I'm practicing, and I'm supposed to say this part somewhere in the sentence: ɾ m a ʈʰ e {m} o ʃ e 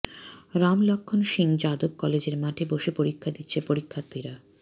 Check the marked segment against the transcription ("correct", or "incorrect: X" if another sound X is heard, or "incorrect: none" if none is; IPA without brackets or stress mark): incorrect: b